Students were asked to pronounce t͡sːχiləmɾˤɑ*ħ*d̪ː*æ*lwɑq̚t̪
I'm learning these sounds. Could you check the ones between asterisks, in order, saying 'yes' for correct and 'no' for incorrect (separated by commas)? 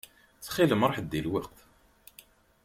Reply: yes, no